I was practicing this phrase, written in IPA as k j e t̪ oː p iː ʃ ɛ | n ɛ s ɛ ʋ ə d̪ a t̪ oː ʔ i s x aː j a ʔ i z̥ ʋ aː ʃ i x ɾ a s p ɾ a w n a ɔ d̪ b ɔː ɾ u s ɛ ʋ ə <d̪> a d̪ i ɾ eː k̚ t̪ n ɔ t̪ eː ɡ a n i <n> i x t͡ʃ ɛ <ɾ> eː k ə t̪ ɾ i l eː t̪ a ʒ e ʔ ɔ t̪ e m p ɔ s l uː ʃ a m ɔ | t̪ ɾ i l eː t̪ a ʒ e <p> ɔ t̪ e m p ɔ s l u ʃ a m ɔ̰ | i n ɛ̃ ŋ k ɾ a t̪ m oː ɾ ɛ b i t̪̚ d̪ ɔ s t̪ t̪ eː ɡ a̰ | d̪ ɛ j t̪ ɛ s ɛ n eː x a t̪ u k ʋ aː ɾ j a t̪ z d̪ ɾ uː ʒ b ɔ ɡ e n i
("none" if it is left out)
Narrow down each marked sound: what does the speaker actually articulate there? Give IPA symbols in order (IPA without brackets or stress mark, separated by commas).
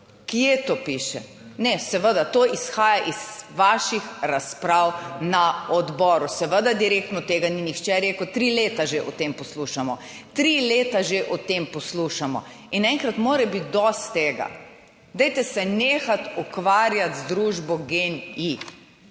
d̪, n, ɾ, ʔ